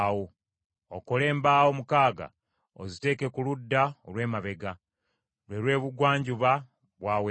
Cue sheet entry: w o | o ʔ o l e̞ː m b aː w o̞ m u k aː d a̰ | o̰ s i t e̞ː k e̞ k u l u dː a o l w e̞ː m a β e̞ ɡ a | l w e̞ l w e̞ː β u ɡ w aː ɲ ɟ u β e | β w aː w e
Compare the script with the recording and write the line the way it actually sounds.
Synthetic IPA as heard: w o | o k o l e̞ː m b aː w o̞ m u k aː ɡ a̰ | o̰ z i t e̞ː k e̞ k u l u dː a o l w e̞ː m a β e̞ ɡ a | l w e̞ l w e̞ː β u ɡ w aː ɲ ɟ u β a | β w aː w e